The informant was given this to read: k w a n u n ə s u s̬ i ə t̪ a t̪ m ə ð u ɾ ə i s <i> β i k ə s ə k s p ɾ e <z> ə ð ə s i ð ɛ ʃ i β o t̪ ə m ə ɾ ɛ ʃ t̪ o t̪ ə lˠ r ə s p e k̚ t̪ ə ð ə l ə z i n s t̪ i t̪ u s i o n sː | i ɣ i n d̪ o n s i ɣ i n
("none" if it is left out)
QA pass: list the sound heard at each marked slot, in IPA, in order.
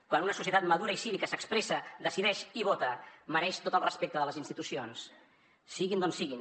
i, s

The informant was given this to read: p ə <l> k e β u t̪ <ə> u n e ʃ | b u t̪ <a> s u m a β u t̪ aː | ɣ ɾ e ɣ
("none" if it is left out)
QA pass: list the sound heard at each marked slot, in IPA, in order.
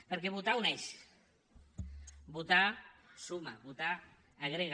ɾ, a, a

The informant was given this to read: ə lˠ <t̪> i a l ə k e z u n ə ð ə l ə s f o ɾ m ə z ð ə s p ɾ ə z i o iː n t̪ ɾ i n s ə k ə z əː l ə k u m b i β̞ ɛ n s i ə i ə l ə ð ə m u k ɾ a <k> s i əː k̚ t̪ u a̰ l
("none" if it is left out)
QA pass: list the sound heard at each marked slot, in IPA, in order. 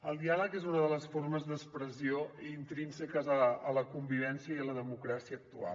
d̪, none

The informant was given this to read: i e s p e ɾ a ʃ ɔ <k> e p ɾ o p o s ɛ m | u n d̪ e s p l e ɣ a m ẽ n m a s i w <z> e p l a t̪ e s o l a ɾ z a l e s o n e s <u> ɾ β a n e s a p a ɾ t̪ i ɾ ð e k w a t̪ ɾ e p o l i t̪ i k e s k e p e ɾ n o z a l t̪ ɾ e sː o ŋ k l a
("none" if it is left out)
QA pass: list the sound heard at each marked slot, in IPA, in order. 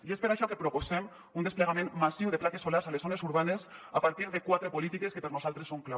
k, ð, u

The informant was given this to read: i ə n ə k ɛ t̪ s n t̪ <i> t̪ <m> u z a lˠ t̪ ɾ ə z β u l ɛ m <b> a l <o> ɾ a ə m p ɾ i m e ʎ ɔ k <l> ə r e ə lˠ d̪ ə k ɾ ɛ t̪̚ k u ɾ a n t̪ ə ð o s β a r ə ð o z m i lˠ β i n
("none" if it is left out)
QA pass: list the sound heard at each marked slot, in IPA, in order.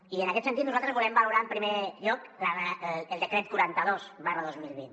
i, n, b, u, l

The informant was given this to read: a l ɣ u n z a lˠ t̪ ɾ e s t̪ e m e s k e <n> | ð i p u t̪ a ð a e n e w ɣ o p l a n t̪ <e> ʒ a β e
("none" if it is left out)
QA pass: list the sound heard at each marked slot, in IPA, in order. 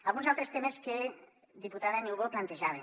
none, e

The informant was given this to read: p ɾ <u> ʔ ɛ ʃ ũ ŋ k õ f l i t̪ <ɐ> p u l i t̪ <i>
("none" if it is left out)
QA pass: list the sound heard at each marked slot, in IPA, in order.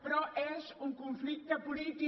ɔ, ɐ, i

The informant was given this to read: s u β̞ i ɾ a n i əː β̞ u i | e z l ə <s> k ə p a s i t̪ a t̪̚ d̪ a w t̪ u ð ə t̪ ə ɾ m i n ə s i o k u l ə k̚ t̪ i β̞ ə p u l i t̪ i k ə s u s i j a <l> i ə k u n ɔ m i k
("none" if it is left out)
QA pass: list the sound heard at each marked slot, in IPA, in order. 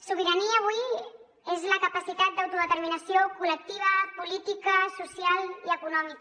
none, l

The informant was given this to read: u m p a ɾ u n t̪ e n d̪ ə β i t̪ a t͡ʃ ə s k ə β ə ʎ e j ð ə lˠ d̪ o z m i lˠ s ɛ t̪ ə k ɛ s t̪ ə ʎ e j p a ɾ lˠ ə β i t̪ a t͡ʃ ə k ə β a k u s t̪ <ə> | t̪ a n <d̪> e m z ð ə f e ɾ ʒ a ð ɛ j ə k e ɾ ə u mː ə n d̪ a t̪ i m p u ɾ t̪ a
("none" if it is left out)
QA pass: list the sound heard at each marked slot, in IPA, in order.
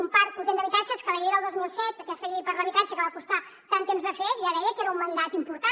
a, t̪

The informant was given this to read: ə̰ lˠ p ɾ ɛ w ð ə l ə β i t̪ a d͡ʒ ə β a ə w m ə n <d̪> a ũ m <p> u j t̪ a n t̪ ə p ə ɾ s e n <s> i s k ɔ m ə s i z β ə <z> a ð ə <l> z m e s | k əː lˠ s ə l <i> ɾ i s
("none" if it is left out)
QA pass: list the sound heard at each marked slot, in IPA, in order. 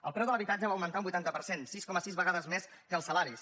t̪, b, s, ɣ, none, a

